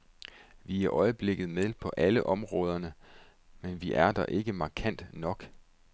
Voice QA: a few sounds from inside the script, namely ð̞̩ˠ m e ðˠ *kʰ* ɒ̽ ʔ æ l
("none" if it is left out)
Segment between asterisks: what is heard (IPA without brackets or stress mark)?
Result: pʰ